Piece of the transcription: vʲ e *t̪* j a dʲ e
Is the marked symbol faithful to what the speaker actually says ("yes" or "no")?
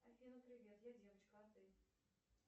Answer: yes